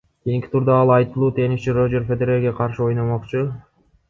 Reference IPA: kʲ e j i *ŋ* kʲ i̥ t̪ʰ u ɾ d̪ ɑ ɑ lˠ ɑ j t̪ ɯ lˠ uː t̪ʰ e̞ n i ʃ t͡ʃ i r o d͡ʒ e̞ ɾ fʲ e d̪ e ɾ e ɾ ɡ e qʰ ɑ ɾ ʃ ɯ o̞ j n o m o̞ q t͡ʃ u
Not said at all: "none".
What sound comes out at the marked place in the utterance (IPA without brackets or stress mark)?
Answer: ŋ